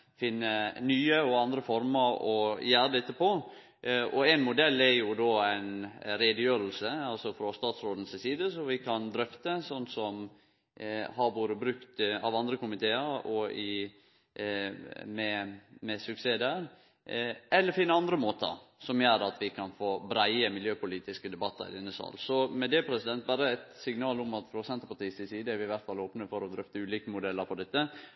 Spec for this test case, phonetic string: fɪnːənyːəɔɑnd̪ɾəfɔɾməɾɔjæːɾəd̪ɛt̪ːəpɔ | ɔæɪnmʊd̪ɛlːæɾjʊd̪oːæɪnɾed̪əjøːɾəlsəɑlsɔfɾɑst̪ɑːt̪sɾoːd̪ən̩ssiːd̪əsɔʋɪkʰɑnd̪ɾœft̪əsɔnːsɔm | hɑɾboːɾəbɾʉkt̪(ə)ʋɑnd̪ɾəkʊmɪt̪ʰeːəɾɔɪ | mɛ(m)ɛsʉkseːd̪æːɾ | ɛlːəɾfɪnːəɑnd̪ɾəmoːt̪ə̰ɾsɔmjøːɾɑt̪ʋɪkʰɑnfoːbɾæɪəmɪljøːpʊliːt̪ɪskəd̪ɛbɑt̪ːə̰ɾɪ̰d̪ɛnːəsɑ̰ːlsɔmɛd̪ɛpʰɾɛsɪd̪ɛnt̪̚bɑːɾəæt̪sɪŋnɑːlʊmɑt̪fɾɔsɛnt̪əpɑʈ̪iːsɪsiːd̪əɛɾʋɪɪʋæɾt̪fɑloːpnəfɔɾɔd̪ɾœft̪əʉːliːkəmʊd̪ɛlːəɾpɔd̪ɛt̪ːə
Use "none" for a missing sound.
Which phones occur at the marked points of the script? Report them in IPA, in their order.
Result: ɑ, m

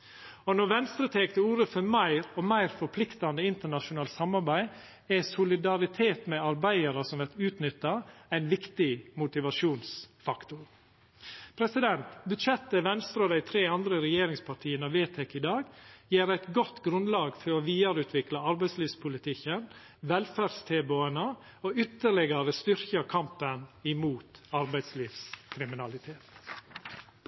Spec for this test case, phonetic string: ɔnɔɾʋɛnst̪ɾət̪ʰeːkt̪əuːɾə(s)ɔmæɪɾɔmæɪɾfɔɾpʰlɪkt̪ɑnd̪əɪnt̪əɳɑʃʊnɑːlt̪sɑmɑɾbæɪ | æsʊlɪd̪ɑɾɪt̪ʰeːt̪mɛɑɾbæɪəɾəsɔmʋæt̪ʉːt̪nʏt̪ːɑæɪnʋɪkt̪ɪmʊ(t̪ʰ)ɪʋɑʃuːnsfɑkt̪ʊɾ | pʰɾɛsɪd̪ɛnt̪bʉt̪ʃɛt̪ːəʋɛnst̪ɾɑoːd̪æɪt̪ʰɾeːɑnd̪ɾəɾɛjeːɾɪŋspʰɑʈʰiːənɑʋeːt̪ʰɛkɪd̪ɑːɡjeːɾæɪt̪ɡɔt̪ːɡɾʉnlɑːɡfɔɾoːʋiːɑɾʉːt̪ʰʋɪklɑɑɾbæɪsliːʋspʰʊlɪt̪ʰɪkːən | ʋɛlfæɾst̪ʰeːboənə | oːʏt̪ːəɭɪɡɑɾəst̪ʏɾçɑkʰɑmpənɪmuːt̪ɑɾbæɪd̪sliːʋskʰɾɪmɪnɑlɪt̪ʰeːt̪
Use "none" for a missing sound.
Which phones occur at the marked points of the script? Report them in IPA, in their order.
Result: f, t̪

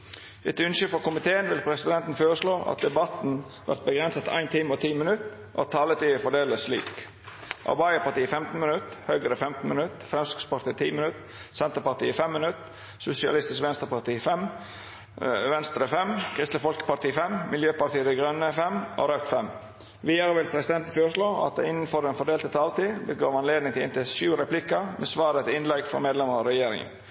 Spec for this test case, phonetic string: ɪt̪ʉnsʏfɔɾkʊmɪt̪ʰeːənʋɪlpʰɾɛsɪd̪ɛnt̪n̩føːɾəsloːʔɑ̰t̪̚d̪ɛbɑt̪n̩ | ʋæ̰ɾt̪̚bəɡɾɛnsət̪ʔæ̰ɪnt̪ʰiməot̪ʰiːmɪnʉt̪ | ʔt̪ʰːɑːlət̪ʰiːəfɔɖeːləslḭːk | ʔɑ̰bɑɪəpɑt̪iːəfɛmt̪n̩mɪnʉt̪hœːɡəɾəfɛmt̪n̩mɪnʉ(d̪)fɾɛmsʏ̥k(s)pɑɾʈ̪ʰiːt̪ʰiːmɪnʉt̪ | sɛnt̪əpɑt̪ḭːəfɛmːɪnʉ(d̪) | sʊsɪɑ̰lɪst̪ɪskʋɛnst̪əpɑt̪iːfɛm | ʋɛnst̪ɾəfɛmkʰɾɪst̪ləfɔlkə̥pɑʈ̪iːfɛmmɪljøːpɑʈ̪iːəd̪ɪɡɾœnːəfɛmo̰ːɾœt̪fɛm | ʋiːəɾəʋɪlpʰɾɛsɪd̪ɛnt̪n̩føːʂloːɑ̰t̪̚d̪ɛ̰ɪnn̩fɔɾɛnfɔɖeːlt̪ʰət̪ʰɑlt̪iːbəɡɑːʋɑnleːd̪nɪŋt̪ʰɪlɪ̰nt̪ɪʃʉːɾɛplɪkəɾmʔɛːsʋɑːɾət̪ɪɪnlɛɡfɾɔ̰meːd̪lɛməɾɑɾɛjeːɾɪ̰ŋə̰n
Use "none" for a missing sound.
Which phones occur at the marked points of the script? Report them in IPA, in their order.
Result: t̪, s, t̪

